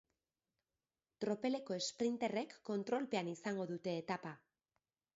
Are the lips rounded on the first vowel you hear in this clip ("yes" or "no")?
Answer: yes